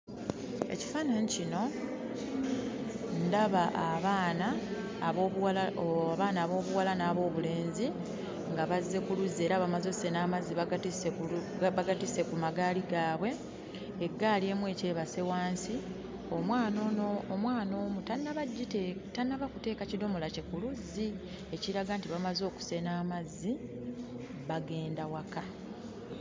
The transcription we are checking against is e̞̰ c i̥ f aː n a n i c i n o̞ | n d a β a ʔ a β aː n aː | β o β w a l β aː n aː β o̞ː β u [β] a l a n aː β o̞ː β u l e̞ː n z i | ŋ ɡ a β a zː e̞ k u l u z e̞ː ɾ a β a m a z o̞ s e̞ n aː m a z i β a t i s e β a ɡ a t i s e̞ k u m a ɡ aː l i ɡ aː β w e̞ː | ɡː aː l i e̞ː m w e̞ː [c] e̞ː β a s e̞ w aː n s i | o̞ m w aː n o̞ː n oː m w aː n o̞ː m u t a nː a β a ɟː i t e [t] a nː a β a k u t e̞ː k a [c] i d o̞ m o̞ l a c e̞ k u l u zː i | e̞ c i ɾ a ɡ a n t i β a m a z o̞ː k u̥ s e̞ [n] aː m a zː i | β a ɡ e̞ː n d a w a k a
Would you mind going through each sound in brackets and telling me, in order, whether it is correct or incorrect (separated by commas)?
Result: incorrect, correct, correct, correct, correct